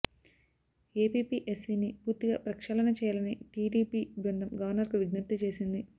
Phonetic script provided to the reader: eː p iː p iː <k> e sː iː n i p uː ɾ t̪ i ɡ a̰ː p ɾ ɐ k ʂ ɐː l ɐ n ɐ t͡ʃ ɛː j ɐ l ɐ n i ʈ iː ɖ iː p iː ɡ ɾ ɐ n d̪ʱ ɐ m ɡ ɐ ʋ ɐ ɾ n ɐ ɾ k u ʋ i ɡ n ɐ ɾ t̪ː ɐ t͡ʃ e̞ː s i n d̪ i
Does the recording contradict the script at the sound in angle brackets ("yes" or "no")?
yes